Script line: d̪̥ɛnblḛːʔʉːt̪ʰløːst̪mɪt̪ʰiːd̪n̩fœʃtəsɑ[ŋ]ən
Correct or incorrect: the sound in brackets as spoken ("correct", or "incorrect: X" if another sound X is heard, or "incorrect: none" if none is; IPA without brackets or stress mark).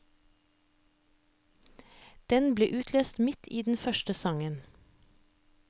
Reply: correct